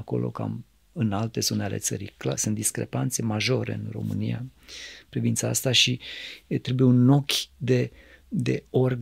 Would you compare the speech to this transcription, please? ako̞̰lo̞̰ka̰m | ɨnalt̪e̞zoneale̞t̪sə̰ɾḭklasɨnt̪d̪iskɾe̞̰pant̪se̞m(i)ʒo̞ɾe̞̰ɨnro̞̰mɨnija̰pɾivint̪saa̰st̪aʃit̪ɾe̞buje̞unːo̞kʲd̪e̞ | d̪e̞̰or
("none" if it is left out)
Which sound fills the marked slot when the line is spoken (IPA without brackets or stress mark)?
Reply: a